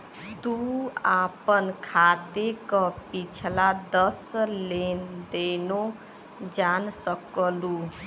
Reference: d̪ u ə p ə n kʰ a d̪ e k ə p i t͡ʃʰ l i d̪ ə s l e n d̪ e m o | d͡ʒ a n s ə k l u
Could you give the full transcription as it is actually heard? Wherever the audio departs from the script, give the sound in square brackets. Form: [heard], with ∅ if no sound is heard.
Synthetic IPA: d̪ u [a] p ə n kʰ a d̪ e k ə p i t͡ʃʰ l [a] d̪ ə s l e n d̪ e [n] o | d͡ʒ a n s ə k l u